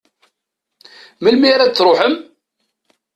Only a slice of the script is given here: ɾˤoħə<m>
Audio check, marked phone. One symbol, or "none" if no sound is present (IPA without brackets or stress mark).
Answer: m